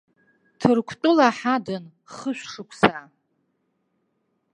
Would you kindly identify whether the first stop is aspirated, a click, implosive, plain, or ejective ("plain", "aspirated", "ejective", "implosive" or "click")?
aspirated